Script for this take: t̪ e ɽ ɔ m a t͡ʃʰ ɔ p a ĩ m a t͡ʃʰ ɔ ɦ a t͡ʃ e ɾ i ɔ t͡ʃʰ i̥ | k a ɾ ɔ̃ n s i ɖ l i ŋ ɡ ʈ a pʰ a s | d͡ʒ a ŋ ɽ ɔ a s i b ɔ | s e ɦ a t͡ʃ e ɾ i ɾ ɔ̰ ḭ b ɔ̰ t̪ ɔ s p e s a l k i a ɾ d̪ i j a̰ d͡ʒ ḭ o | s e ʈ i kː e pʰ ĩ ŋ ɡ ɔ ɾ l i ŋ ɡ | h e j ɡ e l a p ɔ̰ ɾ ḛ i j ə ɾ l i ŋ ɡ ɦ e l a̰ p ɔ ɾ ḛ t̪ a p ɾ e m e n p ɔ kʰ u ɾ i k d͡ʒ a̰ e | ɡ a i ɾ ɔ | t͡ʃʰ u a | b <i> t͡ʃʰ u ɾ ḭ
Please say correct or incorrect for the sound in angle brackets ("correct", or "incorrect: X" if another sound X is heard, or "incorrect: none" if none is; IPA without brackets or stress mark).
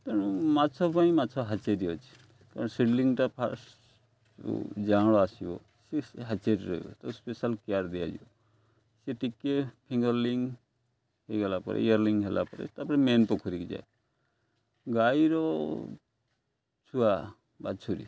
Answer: incorrect: a